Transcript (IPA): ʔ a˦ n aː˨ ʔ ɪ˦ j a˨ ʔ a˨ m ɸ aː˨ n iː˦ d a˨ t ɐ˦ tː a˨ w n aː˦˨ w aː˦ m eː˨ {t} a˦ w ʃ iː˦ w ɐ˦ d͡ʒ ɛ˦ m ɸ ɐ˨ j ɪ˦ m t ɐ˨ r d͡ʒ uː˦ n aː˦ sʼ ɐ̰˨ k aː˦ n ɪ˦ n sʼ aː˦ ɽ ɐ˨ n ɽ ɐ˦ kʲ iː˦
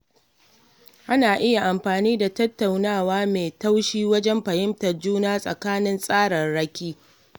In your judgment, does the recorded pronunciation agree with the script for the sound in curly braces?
yes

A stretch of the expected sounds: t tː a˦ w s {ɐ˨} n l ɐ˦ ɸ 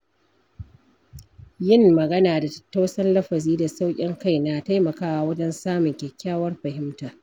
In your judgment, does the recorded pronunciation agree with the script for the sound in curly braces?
no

